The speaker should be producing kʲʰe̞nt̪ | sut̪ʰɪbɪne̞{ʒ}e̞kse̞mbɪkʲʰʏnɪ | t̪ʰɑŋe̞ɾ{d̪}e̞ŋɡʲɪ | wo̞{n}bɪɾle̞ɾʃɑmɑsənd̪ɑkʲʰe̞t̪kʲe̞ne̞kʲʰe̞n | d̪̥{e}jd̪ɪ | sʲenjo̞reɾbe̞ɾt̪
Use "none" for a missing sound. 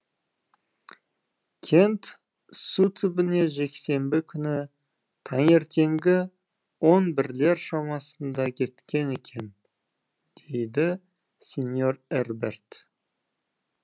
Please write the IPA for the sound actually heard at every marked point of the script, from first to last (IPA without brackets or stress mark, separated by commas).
ʒ, t̪, n, e